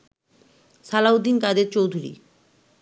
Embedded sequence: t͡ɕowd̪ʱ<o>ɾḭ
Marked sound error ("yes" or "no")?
yes